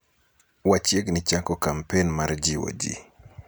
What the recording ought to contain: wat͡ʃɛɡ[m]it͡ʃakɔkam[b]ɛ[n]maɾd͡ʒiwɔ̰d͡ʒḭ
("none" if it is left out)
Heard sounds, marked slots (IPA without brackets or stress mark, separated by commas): n, p, n